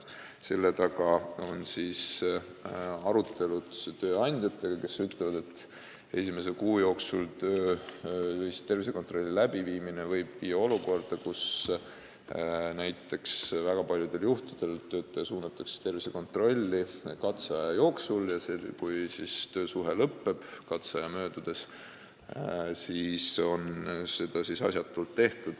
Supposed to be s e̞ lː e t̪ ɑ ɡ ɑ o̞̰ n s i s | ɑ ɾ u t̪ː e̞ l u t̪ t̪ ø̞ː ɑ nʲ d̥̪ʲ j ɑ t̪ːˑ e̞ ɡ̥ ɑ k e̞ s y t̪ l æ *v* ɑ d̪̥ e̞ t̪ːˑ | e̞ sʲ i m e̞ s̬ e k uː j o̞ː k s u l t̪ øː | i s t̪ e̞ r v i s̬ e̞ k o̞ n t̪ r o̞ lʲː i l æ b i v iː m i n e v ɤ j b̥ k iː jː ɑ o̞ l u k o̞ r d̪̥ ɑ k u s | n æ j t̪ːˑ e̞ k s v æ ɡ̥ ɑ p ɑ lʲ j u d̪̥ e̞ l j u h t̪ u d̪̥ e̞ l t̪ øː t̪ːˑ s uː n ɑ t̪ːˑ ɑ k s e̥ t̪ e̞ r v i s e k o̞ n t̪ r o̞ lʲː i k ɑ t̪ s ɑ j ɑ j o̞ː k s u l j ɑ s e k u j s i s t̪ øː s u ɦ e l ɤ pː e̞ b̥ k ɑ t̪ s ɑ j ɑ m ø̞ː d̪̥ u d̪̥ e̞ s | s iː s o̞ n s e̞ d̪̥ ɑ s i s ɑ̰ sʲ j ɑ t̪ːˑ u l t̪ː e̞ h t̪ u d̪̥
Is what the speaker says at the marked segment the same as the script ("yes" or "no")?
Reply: yes